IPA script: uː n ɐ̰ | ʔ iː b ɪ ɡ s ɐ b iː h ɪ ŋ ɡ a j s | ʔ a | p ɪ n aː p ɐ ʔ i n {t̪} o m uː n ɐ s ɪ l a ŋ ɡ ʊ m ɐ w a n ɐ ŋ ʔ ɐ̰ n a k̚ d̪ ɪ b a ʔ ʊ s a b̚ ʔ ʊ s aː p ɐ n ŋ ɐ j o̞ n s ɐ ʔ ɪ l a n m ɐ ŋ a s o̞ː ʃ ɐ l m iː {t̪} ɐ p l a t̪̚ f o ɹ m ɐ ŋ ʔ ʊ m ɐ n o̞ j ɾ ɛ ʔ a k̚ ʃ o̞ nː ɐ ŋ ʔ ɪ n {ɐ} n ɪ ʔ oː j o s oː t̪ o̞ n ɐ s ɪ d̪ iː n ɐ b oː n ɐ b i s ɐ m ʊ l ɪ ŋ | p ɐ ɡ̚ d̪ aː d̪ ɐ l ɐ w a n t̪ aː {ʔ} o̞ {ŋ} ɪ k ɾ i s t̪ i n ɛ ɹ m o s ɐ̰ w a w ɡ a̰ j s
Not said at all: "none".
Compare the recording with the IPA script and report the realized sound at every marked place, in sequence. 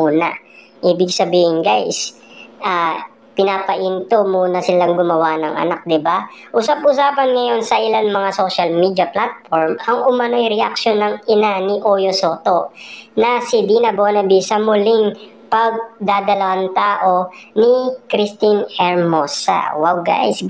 t̪, d̪, a, ʔ, n

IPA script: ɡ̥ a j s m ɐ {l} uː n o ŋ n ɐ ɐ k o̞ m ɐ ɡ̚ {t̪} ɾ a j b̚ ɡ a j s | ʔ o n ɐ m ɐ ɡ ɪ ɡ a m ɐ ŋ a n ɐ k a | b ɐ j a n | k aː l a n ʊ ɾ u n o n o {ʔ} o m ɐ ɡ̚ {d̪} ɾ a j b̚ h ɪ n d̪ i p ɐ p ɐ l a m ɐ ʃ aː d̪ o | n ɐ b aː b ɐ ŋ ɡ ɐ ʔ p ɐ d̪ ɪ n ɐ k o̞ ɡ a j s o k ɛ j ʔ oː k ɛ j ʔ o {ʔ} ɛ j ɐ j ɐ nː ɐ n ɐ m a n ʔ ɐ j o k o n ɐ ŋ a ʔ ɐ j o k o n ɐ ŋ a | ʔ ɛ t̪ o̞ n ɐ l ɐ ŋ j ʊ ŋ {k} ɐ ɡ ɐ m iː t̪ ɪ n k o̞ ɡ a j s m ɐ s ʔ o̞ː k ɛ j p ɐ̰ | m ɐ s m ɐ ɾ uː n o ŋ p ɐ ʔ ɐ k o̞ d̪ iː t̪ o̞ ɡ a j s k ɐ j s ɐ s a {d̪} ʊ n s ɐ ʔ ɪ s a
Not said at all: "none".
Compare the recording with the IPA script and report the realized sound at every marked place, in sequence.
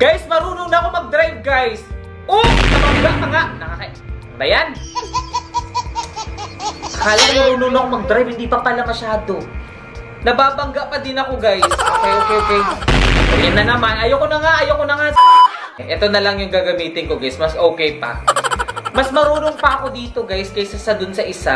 ɾ, d̪, k, d̪, k, ɡ, d̪

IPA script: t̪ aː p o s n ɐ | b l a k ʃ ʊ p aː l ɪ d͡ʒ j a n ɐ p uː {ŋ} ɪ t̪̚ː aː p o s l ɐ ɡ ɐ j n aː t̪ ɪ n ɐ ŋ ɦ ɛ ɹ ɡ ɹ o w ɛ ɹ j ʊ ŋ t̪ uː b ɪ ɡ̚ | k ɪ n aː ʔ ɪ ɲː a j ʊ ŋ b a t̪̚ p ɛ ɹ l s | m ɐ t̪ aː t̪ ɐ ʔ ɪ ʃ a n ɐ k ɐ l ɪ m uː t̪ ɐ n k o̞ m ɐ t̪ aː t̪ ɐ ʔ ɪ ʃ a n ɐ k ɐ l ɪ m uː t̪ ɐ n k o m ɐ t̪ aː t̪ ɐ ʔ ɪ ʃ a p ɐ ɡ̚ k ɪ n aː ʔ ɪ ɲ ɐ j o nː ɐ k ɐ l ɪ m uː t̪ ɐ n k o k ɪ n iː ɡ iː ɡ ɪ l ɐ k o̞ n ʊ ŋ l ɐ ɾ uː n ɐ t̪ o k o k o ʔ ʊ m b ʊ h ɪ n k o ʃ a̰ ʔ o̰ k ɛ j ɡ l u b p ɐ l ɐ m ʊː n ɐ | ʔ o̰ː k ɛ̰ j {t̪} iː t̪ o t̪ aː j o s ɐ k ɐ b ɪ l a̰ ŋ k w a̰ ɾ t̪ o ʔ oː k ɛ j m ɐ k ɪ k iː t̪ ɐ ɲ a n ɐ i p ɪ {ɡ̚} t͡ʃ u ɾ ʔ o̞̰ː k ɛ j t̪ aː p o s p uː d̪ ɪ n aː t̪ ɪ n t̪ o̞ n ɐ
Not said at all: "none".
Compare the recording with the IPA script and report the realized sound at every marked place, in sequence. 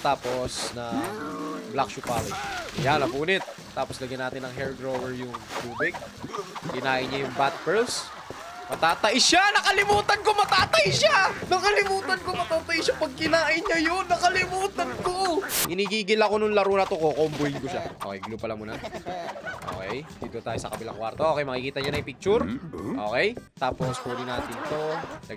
n, d̪, k̚

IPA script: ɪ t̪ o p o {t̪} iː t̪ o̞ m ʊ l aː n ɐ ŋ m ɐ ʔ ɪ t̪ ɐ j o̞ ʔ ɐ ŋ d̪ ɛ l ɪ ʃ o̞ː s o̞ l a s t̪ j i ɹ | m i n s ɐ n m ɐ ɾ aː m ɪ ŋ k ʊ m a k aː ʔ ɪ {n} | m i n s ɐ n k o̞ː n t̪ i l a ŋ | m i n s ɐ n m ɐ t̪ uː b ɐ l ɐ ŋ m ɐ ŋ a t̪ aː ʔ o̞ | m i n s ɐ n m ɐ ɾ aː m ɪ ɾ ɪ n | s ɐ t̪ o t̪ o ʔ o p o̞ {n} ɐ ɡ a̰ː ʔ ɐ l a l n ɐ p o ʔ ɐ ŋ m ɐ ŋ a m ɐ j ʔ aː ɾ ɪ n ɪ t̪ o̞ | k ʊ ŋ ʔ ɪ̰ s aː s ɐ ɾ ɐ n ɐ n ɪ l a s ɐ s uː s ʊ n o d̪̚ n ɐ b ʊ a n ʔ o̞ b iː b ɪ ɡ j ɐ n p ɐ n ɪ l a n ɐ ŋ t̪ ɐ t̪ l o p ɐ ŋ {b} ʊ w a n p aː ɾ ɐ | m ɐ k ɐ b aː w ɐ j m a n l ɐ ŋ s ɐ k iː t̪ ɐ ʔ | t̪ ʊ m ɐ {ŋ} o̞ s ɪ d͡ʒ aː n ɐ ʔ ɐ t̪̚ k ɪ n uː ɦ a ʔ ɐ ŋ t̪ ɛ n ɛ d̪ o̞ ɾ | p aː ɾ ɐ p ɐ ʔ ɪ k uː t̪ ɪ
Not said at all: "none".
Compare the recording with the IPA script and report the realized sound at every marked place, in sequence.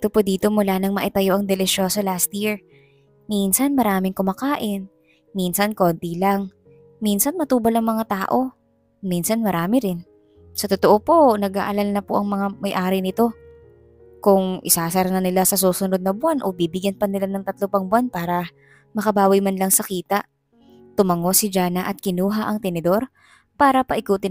d̪, n, n, b, ŋ

